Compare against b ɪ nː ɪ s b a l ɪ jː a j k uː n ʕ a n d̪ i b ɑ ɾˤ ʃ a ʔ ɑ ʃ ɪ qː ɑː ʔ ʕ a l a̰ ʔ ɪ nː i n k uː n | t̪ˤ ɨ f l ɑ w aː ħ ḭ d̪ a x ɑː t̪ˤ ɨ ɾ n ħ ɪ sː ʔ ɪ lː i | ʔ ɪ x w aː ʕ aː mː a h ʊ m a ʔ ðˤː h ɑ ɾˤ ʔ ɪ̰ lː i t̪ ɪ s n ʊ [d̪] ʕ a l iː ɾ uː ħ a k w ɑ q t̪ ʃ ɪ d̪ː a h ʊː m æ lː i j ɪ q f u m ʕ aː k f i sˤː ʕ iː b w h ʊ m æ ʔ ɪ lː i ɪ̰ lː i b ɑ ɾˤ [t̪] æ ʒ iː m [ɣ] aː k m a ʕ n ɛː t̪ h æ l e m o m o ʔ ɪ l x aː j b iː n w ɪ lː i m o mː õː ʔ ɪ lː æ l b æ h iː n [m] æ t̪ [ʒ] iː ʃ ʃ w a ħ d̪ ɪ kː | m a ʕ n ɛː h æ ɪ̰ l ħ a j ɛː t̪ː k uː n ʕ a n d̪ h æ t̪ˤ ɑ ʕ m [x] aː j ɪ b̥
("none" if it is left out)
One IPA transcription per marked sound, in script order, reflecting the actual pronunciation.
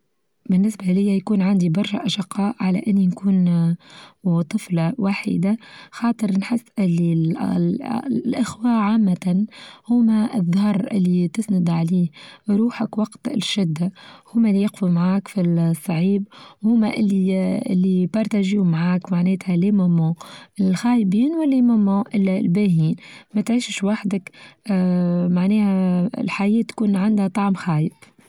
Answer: d̪, t̪, ʕ, m, ʕ, x

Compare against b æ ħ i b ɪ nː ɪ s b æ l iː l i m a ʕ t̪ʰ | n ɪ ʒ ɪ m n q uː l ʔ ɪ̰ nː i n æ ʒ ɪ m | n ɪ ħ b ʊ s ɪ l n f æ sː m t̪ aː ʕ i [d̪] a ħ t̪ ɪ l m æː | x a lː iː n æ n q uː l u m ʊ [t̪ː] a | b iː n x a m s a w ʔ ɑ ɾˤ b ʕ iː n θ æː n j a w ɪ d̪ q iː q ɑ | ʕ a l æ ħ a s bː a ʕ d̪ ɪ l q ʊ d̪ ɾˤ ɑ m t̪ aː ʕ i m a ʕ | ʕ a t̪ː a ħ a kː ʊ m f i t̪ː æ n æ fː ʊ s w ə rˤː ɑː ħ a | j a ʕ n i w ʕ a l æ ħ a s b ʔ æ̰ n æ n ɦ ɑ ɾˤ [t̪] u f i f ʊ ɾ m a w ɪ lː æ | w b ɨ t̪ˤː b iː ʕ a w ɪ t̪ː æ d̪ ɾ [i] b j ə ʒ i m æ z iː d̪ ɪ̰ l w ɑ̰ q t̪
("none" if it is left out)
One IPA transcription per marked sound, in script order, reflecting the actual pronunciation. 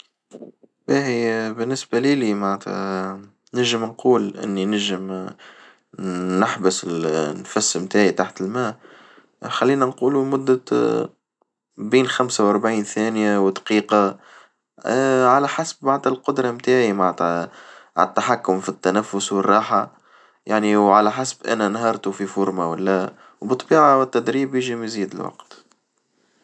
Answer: t̪, d̪ː, t̪, iː

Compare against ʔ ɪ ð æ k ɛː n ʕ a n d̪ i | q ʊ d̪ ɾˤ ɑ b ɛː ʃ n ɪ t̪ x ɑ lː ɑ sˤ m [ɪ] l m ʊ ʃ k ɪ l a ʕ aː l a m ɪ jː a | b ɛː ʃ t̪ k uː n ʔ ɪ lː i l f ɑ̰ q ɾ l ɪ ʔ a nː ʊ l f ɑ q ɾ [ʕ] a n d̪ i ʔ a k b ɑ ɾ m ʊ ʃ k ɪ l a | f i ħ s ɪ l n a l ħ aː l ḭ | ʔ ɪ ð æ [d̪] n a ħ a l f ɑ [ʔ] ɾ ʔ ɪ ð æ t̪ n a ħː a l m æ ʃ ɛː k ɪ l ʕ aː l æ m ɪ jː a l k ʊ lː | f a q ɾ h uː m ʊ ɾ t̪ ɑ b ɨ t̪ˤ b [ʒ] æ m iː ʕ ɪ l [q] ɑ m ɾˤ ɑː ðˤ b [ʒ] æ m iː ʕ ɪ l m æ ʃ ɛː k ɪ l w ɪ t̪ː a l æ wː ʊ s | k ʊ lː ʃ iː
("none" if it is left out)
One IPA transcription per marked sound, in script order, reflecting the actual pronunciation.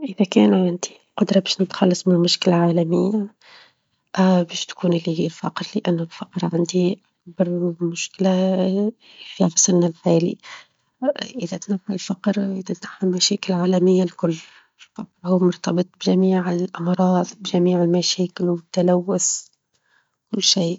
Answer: ɪ, ʕ, t̪, q, ʒ, ʔ, ʒ

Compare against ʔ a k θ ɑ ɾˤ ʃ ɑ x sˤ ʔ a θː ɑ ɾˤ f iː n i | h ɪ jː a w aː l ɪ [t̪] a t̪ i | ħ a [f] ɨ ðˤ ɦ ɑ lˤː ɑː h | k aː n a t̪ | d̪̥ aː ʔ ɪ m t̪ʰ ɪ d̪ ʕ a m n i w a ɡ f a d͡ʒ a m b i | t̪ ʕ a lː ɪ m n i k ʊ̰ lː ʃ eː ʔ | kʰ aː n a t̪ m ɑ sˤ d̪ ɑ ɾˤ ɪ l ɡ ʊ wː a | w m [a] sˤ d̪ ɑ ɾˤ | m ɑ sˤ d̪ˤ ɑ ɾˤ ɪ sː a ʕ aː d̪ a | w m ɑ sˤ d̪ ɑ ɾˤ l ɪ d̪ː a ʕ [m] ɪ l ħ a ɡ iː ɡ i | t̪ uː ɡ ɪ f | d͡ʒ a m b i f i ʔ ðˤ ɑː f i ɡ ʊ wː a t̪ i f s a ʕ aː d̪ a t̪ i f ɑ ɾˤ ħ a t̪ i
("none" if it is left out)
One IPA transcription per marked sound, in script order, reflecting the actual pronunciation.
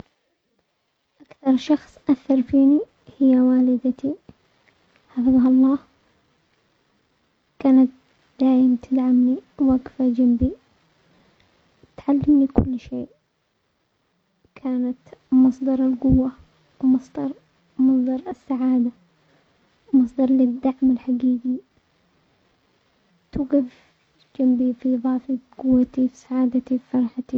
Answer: d̪, f, ɑ, m

